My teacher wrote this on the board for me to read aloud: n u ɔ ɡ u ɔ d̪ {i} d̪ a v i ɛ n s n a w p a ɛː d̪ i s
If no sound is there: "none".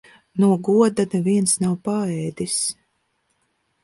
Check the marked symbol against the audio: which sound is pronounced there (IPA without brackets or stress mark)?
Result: a